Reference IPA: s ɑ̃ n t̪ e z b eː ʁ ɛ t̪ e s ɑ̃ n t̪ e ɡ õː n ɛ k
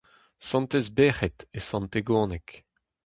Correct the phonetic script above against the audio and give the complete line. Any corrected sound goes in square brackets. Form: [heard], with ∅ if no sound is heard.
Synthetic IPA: s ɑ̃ n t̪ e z b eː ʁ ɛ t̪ e s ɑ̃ n t̪ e ɡ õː n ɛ k